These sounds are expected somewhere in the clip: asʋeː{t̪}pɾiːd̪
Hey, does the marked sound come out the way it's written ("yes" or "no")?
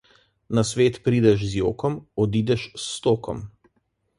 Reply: yes